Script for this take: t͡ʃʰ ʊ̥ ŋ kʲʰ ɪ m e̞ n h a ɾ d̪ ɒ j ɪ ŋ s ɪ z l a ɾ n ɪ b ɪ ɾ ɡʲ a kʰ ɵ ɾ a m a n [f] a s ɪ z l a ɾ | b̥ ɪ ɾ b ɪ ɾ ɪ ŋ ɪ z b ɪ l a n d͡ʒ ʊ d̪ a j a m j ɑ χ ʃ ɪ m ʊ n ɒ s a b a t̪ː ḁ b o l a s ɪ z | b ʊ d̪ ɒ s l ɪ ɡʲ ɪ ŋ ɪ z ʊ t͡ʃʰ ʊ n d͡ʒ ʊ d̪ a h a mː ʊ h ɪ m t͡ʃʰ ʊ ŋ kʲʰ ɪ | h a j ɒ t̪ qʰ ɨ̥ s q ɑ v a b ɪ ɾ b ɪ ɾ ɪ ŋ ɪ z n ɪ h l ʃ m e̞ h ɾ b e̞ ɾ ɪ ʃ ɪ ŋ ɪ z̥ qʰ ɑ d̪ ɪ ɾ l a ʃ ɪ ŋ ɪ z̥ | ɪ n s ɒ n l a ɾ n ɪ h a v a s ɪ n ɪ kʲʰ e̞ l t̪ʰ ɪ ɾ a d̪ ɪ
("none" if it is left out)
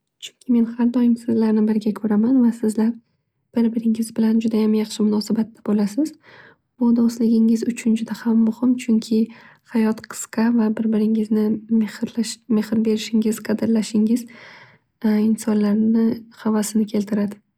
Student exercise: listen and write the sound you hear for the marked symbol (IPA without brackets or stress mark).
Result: v